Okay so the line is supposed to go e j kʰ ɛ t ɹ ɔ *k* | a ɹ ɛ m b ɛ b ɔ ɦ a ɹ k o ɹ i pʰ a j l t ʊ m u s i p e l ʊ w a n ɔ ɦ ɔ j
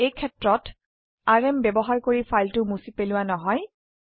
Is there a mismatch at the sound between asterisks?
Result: yes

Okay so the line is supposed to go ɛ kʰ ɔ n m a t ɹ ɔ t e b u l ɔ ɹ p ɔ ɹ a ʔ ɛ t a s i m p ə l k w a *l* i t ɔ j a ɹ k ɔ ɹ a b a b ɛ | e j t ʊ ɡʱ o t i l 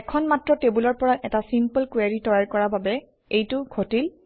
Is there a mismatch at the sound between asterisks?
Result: yes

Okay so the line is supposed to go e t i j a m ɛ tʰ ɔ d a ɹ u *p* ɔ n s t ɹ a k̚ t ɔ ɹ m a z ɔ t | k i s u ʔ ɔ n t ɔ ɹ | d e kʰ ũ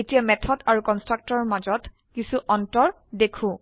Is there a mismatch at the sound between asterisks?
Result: yes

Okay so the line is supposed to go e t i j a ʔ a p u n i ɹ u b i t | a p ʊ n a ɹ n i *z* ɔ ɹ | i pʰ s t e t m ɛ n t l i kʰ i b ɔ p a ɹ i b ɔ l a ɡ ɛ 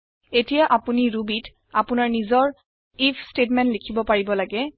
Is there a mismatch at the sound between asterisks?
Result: no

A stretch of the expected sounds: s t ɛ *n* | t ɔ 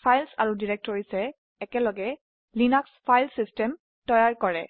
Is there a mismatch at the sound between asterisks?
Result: yes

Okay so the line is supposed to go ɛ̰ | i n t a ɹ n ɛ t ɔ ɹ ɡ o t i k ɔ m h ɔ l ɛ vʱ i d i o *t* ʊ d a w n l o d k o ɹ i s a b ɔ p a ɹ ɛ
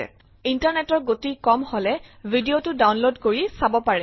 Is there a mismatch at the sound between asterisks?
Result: no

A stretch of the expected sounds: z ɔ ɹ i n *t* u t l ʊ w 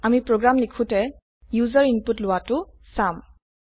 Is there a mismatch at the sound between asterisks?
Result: yes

